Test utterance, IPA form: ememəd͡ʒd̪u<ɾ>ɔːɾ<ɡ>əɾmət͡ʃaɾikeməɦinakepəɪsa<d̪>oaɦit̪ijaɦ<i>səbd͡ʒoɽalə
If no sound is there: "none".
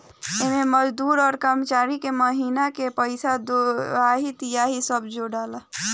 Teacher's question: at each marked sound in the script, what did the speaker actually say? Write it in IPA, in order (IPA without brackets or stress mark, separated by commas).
ɾ, k, d̪, i